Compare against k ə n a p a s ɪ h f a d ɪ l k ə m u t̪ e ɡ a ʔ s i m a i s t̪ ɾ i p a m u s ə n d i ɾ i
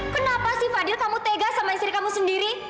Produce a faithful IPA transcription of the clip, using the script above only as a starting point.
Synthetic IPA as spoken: k ə n a p a s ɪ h f a d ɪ l k a m u t̪ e ɡ a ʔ s a m a i s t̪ ɾ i k a m u s ə n d i ɾ i